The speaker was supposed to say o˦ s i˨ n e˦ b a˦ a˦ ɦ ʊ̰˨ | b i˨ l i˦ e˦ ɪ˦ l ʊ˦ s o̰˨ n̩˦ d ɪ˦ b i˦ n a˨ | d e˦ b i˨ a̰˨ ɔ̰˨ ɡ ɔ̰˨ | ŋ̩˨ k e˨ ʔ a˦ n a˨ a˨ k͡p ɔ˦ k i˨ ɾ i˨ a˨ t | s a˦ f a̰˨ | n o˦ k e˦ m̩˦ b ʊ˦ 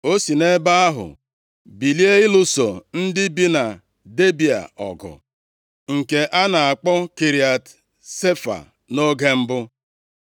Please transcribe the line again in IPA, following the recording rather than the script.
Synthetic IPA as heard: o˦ s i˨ n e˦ b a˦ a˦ ɦ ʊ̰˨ | b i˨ l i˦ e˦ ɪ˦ l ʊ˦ s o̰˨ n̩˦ d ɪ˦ b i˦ n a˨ | d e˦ b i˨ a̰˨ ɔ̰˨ ɡ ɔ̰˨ | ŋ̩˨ k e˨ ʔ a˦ n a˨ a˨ k͡p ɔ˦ k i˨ ɾ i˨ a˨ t | s e˦ f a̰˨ | n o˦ ɡ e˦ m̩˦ b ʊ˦